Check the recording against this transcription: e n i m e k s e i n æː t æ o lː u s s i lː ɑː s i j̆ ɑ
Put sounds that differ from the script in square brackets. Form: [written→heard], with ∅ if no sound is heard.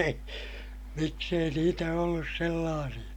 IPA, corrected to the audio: e [n→∅] i m [e→i] k s e i n [æː→iː] t æ o lː u s s [i→e] lː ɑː s i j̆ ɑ